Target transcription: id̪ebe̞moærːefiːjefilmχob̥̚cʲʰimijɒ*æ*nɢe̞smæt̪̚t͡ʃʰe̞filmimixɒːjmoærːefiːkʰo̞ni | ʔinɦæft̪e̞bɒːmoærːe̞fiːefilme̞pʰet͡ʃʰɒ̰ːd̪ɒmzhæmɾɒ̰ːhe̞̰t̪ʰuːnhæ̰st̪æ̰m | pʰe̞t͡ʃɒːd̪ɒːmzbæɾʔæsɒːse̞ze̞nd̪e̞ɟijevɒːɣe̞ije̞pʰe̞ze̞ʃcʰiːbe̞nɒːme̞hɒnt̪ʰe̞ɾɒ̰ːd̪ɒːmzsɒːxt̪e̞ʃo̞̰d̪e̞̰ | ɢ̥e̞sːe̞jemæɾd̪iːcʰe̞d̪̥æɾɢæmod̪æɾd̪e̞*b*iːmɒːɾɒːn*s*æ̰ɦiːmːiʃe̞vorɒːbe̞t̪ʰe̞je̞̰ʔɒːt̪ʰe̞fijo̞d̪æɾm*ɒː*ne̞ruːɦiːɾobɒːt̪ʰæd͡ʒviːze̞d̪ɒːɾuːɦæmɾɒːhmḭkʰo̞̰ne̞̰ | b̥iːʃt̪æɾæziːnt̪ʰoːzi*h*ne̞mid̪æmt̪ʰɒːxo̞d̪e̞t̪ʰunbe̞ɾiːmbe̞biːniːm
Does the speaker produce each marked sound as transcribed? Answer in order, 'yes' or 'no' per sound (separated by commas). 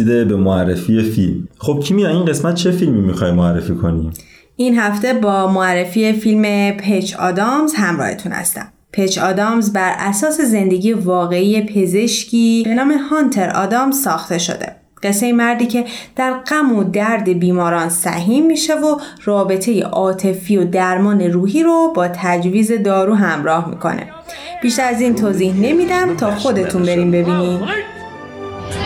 no, yes, yes, yes, yes